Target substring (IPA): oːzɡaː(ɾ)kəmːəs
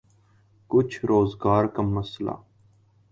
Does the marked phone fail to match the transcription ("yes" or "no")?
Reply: no